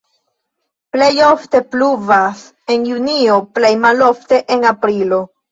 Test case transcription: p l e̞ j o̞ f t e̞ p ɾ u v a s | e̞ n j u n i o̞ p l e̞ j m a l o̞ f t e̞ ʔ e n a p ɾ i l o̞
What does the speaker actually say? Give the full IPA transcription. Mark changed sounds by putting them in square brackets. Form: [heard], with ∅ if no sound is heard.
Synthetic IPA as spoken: p l e̞ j o̞ f t e̞ p [l] u v a s | e̞ n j u n i o̞ p l e̞ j m a l o̞ f t e̞ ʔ e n a p ɾ i l o̞